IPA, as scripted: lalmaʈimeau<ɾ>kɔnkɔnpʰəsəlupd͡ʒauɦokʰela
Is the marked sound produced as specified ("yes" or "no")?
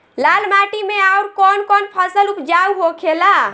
yes